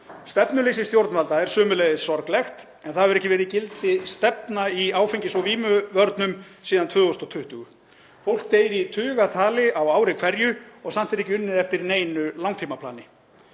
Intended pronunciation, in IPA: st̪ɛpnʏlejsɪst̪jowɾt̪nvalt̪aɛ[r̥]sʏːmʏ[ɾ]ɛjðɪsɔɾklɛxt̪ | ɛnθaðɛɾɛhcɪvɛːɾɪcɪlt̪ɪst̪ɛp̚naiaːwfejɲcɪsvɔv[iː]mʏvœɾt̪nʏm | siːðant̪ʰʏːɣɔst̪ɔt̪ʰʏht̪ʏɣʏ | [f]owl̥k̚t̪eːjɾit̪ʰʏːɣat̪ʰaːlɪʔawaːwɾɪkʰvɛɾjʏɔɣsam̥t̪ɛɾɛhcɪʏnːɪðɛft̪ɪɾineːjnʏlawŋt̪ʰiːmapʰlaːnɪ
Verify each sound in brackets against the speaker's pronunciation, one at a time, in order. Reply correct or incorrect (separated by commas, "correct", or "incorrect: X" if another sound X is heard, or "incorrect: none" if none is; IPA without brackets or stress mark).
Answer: incorrect: ɾ̥, incorrect: l, correct, correct